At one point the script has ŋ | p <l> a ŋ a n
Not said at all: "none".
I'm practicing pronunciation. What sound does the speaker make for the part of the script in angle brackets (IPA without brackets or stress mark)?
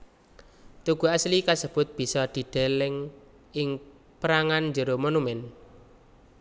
ɾ